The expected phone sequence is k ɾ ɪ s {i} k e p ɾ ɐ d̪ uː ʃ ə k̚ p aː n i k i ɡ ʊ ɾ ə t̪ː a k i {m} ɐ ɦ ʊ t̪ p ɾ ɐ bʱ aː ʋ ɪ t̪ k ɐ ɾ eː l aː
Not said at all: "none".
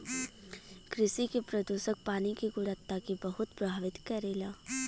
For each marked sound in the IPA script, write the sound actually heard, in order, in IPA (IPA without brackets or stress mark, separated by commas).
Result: i, b